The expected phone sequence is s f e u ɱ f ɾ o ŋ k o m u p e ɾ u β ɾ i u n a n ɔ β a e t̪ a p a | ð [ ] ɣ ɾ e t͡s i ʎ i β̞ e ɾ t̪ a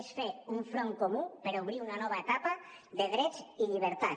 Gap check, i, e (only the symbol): e